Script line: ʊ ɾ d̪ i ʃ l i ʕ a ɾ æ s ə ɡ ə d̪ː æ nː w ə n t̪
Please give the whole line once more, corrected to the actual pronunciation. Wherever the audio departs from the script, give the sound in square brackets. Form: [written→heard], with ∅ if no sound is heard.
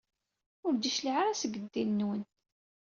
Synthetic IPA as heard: ʊ ɾ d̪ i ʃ l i ʕ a ɾ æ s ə ɡ ə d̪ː [æ→i] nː w ə n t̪